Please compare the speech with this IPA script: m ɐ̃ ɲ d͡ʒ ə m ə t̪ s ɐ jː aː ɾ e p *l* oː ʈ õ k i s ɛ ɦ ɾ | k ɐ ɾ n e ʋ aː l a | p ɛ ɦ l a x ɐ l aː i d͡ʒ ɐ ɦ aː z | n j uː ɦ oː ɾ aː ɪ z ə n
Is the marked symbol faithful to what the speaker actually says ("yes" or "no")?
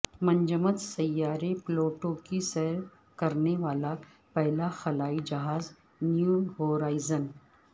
yes